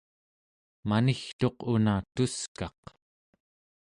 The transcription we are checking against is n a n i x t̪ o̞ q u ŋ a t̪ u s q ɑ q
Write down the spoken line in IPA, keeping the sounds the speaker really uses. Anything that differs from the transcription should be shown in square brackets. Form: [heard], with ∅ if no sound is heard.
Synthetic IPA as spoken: [m] a n i x t̪ o̞ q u [n] a t̪ u s [k] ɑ q